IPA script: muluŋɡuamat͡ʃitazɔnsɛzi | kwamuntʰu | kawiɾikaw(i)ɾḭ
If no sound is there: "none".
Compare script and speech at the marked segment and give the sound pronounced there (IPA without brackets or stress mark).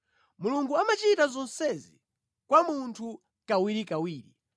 iː